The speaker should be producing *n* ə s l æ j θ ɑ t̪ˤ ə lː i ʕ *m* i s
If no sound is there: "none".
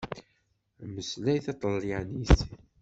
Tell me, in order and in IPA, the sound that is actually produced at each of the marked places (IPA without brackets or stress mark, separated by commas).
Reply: m, n